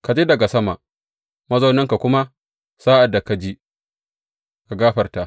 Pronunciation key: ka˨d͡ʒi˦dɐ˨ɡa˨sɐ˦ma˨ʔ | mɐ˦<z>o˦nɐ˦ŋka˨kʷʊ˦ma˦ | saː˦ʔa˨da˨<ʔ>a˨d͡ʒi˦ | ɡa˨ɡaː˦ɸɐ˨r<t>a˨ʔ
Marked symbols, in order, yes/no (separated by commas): yes, no, yes